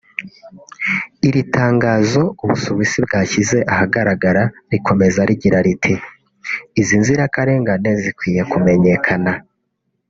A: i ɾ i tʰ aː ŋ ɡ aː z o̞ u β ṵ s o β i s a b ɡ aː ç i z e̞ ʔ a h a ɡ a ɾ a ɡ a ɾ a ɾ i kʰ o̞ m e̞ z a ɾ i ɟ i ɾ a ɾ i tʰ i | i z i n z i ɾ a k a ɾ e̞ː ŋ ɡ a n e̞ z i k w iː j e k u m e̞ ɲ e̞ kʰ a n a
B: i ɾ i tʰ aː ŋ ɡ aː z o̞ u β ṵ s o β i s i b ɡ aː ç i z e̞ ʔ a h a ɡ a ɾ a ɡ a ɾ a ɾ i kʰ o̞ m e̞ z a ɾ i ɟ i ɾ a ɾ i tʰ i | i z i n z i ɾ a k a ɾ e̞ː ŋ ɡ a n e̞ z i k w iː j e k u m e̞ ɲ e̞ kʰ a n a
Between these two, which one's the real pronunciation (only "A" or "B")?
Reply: B